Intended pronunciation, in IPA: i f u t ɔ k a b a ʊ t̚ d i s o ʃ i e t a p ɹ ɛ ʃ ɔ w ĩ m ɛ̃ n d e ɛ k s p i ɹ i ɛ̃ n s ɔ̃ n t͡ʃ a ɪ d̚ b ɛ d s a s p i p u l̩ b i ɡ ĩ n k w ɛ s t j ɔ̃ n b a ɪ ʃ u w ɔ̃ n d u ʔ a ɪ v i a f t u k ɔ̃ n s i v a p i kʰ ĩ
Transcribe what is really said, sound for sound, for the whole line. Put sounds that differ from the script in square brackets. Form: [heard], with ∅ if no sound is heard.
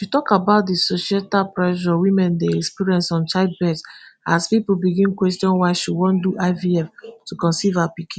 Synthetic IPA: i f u t ɔ k a b a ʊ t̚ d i s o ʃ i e t a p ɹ ɛ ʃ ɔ w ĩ m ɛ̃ n d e ɛ k s p i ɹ i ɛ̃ n s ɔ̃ n t͡ʃ a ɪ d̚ b ɛ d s a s p i p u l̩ b i ɡ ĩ n k w ɛ s t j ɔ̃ n [w] a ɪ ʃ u w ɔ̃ n d u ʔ a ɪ v i [ɛ] f t u k ɔ̃ n s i v a p i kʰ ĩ